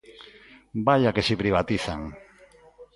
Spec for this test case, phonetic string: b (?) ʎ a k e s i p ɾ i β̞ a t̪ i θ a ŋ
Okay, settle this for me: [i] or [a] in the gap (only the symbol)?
a